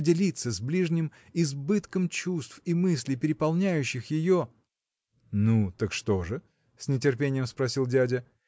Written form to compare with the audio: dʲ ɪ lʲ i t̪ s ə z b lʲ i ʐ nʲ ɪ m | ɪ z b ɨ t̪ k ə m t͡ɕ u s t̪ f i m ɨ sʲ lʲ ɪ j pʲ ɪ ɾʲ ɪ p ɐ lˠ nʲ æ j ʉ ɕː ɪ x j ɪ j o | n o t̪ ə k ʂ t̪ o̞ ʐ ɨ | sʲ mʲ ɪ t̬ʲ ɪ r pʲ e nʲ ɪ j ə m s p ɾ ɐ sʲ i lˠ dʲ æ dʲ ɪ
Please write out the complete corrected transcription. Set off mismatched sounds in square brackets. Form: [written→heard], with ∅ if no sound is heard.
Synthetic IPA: dʲ ɪ lʲ i t̪ s ə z b lʲ i ʐ nʲ ɪ m | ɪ z b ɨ t̪ k ə m t͡ɕ u s t̪ f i m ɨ sʲ lʲ ɪ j pʲ ɪ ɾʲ ɪ p ɐ lˠ nʲ æ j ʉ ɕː ɪ x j ɪ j o | n [o→u] t̪ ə k ʂ t̪ o̞ ʐ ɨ | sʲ [mʲ→nʲ] ɪ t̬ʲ ɪ r pʲ e nʲ ɪ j ə m s p ɾ ɐ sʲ i lˠ dʲ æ dʲ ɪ